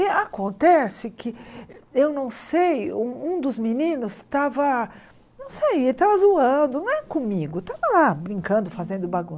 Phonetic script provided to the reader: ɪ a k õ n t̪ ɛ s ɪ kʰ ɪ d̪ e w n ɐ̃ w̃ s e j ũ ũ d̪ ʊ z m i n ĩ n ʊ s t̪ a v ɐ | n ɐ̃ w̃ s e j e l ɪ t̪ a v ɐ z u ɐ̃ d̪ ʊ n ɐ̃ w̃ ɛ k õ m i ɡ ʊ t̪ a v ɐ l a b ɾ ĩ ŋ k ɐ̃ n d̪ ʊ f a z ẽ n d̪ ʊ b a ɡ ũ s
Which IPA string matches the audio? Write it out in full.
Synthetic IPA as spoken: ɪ a k õ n t̪ ɛ s ɪ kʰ ɪ e w n ɐ̃ w̃ s e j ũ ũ d̪ ʊ z m i n ĩ n ʊ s t̪ a v ɐ | n ɐ̃ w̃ s e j e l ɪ t̪ a v ɐ z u ɐ̃ d̪ ʊ n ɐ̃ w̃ ɛ k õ m i ɡ ʊ t̪ a v ɐ l a b ɾ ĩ ŋ k ɐ̃ n d̪ ʊ f a z ẽ n d̪ ʊ b a ɡ ũ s